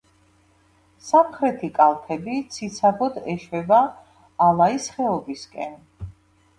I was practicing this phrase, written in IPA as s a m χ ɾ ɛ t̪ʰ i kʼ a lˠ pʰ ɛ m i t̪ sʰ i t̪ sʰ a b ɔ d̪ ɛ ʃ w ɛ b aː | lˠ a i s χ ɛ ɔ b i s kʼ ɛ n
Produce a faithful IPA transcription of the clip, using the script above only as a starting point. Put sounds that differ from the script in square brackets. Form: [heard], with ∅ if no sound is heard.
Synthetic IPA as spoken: s a m χ ɾ ɛ t̪ʰ i kʼ a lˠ pʰ ɛ [b] i t̪ sʰ i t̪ sʰ a b ɔ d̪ ɛ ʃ w ɛ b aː | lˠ a i s χ ɛ ɔ b i s kʼ ɛ n

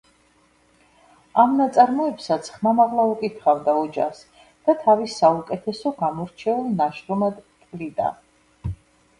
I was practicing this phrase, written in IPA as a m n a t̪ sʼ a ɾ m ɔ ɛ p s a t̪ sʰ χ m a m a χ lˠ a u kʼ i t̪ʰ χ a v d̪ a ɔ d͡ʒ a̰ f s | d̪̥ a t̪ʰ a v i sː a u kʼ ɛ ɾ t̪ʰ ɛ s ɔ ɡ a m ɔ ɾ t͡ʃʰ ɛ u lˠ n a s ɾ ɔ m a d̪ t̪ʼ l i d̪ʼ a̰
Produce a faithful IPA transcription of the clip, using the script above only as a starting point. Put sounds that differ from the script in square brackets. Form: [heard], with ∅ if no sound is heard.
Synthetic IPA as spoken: a m n a t̪ sʼ a ɾ m ɔ ɛ p s a t̪ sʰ χ m a m a [ʁ] lˠ a u kʼ i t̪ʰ χ a v d̪ a ɔ d͡ʒ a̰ [χ] s | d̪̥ a t̪ʰ a v i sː a u kʼ ɛ [∅] t̪ʰ ɛ s ɔ ɡ a m ɔ ɾ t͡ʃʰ ɛ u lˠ n a [ʃ] ɾ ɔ m a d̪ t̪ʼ l i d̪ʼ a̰

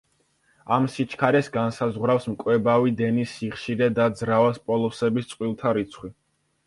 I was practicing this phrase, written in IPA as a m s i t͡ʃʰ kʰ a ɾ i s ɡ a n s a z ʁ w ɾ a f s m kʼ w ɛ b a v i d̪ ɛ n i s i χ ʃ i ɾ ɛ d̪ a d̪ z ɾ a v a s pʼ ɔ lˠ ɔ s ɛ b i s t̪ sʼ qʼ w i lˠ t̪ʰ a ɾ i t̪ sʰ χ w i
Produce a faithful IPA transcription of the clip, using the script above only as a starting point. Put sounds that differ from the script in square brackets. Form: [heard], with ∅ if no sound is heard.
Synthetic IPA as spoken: a m s i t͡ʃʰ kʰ a ɾ [ɛ] s ɡ a n s a z ʁ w ɾ a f s m kʼ w ɛ b a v i d̪ ɛ n i s i χ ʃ i ɾ ɛ d̪ a d̪ z ɾ a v a s pʼ ɔ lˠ ɔ s ɛ b i s t̪ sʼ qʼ w i lˠ t̪ʰ a ɾ i t̪ sʰ χ w i

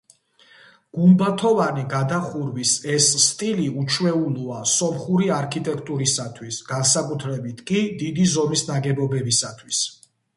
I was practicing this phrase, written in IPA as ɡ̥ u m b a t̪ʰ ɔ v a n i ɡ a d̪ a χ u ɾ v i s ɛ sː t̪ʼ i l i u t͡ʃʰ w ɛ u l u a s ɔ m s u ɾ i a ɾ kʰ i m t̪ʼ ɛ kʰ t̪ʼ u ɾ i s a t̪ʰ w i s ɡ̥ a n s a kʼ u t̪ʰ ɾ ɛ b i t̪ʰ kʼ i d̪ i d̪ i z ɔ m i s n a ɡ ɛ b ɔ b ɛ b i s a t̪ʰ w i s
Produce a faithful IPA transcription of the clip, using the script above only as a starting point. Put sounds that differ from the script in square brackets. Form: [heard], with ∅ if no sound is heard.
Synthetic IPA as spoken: ɡ̥ u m b a t̪ʰ ɔ v a n i ɡ a d̪ a χ u ɾ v i s ɛ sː t̪ʼ i l i u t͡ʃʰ w ɛ u l u a s ɔ m [χ] u ɾ i a ɾ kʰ i [∅] t̪ʼ ɛ kʰ t̪ʼ u ɾ i s a t̪ʰ w i s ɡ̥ a n s a kʼ u t̪ʰ ɾ ɛ b i t̪ʰ kʼ i d̪ i d̪ i z ɔ m i s n a ɡ ɛ b ɔ b ɛ b i s a t̪ʰ w i s

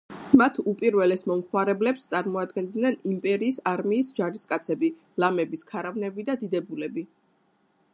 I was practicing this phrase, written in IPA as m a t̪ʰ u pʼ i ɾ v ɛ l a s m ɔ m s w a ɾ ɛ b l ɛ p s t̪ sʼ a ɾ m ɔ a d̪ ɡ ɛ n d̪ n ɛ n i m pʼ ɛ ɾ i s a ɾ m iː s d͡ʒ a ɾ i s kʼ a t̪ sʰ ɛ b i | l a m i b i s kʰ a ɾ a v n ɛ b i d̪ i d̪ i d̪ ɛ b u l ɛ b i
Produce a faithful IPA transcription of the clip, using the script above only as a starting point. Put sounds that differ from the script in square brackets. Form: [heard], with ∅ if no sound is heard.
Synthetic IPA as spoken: m a t̪ʰ u pʼ i ɾ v ɛ l [ɛ] s m ɔ m [χ] w a ɾ ɛ b l ɛ p s t̪ sʼ a ɾ m ɔ a d̪ ɡ ɛ n d̪ n ɛ n i m pʼ ɛ ɾ [iː] s a ɾ m iː s d͡ʒ a ɾ i s kʼ a t̪ sʰ ɛ b i | l a m [ɛ] b i s kʰ a ɾ a v n ɛ b i d̪ [a] d̪ i d̪ ɛ b u l ɛ b i

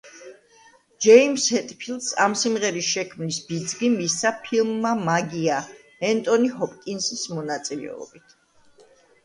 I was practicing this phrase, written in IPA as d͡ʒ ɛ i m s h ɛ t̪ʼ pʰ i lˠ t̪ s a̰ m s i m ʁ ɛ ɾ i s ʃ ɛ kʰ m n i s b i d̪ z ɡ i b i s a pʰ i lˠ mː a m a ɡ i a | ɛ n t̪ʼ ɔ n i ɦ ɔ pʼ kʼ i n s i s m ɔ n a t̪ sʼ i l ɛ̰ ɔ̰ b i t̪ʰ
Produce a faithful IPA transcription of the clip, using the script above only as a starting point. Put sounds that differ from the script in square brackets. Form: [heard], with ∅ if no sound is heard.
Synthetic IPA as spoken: d͡ʒ ɛ i m s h ɛ t̪ʼ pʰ i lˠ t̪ s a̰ m s i m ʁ ɛ ɾ i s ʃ ɛ kʰ m n i s b i d̪ z ɡ i [m] i s a pʰ i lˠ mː a m a ɡ i a | ɛ n t̪ʼ ɔ n i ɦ ɔ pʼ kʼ i n s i s m ɔ n a t̪ sʼ i l ɛ̰ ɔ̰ b i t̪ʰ

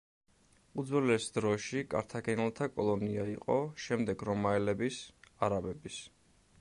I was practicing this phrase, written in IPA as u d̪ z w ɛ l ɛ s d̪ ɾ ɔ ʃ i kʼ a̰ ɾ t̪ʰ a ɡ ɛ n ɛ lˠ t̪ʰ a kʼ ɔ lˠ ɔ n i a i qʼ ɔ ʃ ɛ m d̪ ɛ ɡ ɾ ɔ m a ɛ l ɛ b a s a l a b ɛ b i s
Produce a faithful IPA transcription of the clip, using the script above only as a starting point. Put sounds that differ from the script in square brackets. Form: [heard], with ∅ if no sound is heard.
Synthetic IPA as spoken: u d̪ z w ɛ l ɛ s d̪ ɾ ɔ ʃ i kʼ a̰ ɾ t̪ʰ a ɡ ɛ n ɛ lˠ t̪ʰ a kʼ ɔ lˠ ɔ n i a i qʼ ɔ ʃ ɛ m d̪ ɛ ɡ ɾ ɔ m a ɛ l ɛ b [i] s a [ɾ] a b ɛ b i s

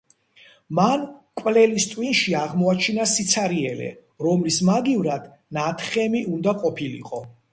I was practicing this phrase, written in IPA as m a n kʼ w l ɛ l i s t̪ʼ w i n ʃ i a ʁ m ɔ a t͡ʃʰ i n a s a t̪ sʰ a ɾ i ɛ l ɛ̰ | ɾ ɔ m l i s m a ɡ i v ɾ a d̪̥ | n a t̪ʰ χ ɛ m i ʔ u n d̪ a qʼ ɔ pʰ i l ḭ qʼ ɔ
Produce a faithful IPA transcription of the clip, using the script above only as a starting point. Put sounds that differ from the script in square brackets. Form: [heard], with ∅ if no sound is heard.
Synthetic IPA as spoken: m a n kʼ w l ɛ l i s t̪ʼ w i n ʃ i a ʁ m ɔ a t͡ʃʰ i n a s [i] t̪ sʰ a ɾ i ɛ l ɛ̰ | ɾ ɔ m l i s m a ɡ i v ɾ a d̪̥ | n a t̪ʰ χ ɛ m i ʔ u n d̪ a qʼ ɔ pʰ i l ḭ qʼ ɔ

